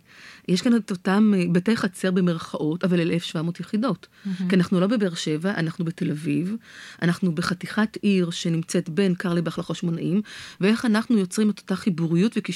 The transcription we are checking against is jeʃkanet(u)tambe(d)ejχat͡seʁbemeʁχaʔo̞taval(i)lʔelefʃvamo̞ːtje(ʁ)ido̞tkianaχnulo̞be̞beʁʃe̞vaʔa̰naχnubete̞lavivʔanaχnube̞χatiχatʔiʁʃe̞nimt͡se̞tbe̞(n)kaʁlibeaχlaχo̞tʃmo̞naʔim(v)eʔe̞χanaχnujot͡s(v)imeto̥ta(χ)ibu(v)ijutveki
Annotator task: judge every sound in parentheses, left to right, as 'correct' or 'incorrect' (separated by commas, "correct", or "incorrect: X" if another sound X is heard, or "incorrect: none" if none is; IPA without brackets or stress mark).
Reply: incorrect: o, incorrect: t, incorrect: e, incorrect: χ, correct, correct, incorrect: ʁ, correct, incorrect: ʁ